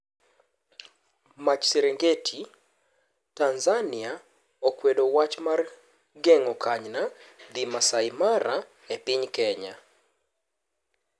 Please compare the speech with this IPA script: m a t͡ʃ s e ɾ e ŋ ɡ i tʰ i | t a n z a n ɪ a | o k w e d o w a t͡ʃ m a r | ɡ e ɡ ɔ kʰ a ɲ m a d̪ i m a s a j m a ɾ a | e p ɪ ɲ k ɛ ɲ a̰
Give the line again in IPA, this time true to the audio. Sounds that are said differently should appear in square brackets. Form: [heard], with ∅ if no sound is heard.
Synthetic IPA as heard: m a t͡ʃ s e ɾ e ŋ ɡ [e] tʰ i | t a n z a n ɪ a | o k w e d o w a t͡ʃ m a r | ɡ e [ŋ] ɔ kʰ a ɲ [n] a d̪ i m a s a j m a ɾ a | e p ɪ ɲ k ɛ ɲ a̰